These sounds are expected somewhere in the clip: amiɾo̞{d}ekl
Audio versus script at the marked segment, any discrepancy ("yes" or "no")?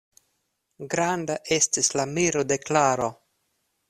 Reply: no